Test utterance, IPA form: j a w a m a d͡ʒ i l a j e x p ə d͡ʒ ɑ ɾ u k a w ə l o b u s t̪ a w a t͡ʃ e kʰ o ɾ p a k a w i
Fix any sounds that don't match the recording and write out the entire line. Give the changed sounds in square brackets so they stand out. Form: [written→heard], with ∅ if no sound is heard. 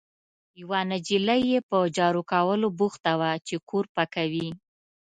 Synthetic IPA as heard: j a w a [m→n] a d͡ʒ i l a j e [x→∅] p ə d͡ʒ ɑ ɾ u k a w ə l o b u [s→x] t̪ a w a t͡ʃ e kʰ o ɾ p a k a w i